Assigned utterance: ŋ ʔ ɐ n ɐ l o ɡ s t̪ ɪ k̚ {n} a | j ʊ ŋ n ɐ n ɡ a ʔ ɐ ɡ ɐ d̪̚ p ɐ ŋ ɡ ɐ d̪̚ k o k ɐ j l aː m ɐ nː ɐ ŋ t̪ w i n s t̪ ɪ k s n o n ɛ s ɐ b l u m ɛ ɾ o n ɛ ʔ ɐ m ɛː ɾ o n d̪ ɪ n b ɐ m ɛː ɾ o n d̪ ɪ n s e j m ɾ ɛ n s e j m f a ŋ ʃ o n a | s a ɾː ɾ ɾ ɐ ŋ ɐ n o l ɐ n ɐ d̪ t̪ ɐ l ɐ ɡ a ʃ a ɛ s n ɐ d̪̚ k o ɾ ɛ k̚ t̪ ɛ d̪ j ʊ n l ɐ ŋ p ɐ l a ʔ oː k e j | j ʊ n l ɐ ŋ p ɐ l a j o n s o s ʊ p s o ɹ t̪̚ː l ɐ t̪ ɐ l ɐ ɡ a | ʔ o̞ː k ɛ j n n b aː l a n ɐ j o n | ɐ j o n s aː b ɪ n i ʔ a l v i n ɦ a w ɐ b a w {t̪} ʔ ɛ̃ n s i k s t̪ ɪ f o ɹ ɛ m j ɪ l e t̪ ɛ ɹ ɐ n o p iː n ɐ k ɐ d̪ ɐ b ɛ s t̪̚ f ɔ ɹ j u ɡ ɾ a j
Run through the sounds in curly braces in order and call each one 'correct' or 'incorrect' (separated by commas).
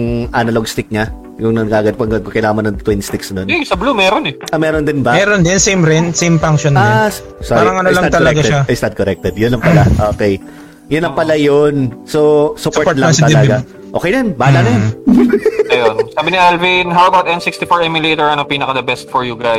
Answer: incorrect, correct